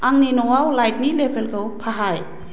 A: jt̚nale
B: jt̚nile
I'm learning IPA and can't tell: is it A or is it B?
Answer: B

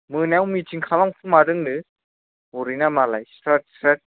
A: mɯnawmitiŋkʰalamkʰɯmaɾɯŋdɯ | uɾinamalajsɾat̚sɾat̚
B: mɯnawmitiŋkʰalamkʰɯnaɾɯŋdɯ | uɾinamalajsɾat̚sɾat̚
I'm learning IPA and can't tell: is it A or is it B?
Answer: A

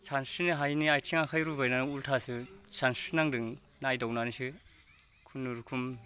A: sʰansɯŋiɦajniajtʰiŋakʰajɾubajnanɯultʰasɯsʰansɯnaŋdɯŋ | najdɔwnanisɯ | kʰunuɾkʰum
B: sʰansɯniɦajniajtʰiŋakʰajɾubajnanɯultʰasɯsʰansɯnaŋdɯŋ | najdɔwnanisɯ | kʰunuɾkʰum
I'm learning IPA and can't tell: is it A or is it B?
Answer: B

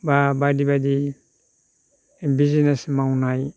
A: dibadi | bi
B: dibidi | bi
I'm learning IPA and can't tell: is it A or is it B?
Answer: A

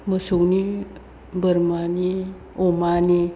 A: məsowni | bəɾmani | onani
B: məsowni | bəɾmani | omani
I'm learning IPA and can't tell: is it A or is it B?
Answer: B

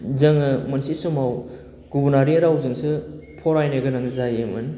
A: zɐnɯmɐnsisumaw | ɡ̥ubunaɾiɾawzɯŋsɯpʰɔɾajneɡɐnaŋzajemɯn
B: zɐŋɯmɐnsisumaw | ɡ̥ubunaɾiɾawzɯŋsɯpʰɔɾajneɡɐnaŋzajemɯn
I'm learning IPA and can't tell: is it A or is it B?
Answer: B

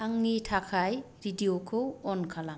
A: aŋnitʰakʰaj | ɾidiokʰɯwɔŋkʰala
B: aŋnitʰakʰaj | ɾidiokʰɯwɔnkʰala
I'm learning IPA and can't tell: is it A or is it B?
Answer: B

